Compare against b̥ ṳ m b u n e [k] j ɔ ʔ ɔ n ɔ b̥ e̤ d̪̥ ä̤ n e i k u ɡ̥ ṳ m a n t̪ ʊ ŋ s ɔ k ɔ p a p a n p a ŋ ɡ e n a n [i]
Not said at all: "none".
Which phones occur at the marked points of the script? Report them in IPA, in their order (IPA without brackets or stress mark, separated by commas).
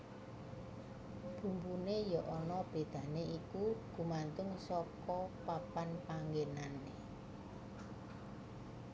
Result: none, e